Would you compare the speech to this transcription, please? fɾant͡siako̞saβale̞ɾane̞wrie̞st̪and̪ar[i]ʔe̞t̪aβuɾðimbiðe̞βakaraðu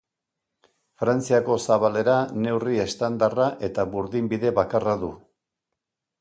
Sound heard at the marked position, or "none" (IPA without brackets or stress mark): a